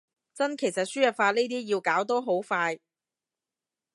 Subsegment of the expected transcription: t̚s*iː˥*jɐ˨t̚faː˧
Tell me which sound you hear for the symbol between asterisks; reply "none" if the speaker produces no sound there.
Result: yː˥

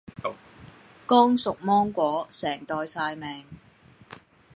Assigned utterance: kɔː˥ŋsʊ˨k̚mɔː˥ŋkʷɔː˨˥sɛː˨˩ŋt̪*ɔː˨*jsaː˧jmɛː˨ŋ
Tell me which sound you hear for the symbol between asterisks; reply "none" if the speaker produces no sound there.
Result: ɔː˨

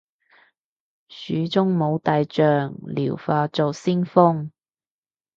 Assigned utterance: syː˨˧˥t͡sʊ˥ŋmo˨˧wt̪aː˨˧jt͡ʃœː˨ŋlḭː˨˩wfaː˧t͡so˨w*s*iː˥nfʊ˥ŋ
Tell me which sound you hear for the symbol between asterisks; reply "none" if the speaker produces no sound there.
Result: s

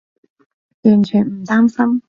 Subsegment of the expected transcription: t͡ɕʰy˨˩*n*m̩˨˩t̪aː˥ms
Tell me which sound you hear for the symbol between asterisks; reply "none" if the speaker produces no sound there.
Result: n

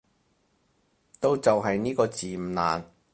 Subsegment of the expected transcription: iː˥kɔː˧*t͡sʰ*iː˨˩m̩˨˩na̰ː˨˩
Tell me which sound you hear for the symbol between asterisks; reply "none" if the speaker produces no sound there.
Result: t͡s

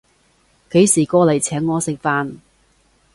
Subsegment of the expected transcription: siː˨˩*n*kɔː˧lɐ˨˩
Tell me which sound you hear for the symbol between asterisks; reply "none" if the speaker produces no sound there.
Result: none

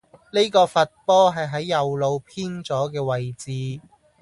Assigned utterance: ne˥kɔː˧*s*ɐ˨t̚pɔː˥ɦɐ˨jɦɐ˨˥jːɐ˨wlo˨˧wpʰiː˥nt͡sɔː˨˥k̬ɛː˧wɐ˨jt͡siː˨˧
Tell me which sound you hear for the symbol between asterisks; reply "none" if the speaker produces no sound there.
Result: f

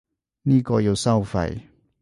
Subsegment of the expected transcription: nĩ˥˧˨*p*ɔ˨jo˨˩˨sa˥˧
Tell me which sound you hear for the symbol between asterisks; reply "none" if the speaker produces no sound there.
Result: k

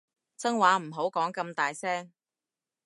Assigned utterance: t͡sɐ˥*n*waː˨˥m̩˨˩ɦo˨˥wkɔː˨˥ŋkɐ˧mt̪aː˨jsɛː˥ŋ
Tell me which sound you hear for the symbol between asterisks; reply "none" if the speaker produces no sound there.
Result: ŋ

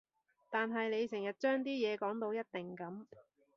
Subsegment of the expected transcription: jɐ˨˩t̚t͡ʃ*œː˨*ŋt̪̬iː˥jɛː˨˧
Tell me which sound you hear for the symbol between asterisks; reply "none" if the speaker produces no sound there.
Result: œː˥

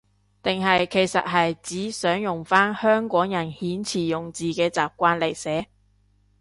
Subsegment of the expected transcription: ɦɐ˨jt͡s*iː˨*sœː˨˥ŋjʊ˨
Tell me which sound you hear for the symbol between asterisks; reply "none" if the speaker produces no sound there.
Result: iː˨˥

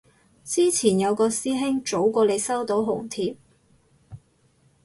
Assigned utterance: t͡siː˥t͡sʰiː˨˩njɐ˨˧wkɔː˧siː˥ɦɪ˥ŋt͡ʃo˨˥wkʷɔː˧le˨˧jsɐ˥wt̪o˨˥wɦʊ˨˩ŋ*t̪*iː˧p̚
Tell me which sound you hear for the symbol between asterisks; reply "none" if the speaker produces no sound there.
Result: t̪ʰ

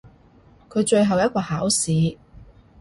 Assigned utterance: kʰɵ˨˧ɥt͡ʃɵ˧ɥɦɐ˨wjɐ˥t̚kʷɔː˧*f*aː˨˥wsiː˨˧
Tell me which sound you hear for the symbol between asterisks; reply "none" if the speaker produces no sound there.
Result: h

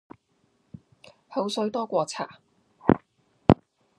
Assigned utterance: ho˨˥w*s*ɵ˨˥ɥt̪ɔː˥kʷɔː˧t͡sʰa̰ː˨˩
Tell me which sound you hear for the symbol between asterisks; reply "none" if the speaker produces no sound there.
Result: s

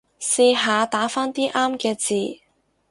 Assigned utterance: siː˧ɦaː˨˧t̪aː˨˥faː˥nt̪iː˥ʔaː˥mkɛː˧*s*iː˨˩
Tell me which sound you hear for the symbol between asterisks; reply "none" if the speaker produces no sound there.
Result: t͡s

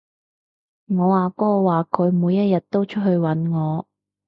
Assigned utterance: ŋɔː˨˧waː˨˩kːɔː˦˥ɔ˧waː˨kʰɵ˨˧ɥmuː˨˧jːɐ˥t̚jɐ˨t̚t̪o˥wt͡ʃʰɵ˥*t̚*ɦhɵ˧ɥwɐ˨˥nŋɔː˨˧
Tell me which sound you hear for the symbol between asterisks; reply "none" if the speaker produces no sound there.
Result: t̚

